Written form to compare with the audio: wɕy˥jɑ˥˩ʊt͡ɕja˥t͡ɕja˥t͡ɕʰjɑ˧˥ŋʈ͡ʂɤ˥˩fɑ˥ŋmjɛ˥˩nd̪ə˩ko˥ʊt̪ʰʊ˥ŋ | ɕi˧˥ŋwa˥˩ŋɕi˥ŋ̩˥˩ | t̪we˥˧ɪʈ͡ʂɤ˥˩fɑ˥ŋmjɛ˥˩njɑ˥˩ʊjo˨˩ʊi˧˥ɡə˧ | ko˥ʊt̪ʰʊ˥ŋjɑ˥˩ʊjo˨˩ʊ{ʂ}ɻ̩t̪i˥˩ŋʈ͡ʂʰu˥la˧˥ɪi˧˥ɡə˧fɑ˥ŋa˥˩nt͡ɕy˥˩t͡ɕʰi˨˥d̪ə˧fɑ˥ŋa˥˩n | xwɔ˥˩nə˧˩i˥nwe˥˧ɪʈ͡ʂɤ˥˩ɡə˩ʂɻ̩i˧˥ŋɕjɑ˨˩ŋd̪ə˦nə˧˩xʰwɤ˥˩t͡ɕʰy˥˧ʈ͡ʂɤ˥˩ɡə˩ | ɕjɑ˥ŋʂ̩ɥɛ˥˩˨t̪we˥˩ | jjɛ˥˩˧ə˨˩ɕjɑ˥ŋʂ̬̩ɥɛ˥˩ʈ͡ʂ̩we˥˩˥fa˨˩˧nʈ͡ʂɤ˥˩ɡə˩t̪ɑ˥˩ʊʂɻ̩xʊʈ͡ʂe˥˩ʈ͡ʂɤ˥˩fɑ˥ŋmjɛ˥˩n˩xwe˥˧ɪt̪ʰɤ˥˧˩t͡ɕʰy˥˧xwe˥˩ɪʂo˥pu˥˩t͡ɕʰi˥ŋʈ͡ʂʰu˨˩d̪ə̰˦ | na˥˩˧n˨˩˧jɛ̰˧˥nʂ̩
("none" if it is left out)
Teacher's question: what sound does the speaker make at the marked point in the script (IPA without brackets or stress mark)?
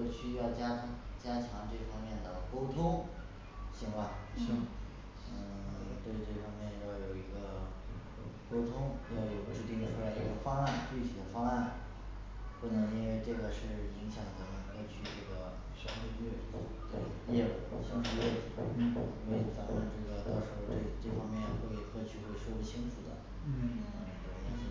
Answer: ʈ͡ʂ